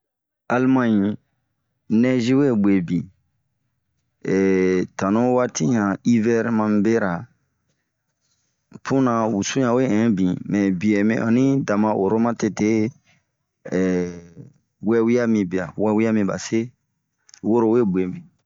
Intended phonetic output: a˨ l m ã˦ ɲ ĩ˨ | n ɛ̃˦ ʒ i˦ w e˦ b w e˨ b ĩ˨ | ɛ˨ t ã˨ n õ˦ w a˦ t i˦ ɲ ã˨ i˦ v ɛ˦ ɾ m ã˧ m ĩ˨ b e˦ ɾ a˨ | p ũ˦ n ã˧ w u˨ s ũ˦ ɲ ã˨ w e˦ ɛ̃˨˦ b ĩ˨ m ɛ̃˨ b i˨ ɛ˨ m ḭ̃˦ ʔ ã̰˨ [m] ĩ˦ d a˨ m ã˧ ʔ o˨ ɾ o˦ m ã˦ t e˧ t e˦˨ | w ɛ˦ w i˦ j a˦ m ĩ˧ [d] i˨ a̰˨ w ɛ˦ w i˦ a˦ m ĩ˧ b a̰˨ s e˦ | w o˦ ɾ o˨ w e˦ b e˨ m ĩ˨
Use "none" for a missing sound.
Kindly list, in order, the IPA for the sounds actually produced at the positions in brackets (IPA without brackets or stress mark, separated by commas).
n, b